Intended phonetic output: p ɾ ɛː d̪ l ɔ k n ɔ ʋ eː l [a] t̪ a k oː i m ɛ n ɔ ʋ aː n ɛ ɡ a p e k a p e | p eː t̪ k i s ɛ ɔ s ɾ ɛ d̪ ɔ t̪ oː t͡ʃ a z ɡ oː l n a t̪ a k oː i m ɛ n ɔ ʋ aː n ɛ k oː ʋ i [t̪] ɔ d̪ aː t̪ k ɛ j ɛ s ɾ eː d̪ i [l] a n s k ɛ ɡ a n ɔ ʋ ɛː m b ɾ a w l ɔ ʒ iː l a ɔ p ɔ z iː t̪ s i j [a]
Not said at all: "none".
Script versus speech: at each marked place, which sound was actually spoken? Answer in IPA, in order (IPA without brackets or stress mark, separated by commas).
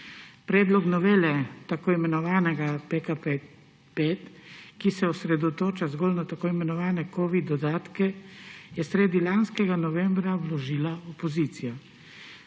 ɛ, d̪, l, a